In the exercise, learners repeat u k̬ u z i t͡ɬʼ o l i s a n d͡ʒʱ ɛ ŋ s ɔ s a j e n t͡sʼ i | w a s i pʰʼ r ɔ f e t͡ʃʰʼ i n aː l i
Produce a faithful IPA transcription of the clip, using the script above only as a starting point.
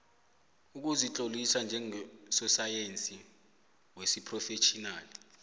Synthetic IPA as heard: u k̬ u z i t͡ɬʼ o l i s a n d͡ʒʱ ɛ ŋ s ɔ s a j e n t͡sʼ i | w e s i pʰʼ r ɔ f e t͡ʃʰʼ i n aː l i